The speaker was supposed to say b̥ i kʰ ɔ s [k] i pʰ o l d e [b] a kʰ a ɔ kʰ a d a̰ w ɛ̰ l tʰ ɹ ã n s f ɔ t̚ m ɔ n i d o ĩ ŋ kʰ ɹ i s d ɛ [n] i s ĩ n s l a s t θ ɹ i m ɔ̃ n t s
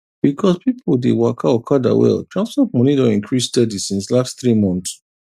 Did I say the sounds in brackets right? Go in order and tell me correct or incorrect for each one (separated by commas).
incorrect, incorrect, incorrect